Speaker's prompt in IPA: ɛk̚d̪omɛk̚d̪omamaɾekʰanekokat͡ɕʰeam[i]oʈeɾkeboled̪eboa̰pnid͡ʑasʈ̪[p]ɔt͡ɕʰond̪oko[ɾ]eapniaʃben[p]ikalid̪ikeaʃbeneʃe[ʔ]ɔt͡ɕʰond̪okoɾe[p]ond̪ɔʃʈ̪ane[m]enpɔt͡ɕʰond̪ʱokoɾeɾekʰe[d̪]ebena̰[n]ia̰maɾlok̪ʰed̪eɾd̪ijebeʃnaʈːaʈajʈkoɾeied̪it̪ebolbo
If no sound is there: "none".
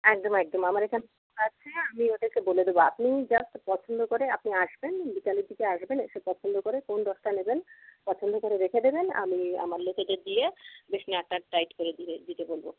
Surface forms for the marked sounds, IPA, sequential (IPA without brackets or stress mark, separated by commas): i, p, ɾ, b, p, k, b, d̪, m